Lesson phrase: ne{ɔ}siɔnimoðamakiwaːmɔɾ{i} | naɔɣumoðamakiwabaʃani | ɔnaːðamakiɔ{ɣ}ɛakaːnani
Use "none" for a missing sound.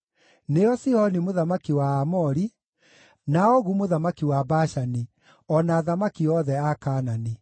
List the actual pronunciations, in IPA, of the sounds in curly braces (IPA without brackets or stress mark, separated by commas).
ɔ, i, ð